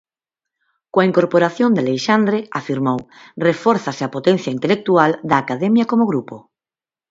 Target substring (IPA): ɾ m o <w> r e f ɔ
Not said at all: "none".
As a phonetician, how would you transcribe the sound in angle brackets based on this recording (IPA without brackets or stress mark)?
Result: w